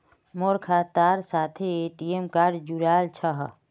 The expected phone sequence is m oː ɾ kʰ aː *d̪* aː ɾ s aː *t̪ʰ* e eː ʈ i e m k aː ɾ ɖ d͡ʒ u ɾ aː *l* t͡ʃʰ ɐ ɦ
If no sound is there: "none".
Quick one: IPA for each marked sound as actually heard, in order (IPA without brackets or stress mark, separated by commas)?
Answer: t̪, t̪ʰ, l